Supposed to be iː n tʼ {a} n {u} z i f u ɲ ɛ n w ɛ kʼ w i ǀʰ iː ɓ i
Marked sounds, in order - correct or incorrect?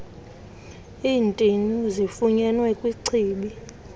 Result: incorrect, correct

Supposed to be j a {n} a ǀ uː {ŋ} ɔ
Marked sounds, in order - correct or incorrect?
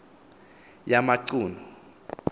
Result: incorrect, incorrect

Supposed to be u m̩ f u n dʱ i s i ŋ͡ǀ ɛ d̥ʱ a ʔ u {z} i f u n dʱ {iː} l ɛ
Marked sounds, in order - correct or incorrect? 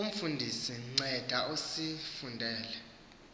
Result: incorrect, incorrect

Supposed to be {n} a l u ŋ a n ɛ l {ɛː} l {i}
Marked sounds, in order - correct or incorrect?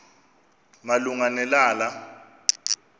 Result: incorrect, incorrect, incorrect

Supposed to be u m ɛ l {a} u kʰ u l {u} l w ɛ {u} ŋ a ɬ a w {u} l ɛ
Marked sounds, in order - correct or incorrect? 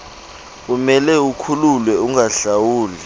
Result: incorrect, correct, correct, incorrect

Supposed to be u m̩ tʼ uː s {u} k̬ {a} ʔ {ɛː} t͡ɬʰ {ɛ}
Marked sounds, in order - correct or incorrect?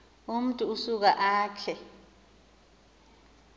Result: correct, correct, incorrect, correct

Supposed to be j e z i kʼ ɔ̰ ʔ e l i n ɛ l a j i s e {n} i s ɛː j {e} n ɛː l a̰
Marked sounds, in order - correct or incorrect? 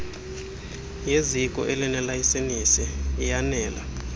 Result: correct, incorrect

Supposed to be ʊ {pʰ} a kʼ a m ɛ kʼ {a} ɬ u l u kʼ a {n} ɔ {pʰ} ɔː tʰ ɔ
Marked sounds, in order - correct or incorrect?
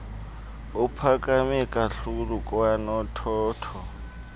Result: correct, correct, correct, incorrect

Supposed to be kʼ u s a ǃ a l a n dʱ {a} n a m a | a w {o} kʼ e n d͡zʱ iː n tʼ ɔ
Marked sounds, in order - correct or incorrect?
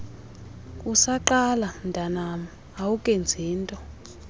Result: correct, incorrect

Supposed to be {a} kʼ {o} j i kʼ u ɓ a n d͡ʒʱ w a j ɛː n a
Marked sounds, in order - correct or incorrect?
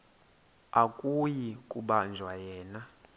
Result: correct, incorrect

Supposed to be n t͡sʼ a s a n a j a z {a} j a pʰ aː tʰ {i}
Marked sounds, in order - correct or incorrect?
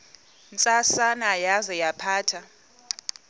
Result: incorrect, incorrect

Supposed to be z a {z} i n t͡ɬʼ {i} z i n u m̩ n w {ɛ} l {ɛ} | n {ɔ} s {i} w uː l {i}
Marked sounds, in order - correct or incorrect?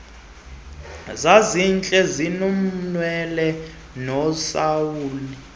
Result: correct, incorrect, correct, correct, correct, incorrect, correct

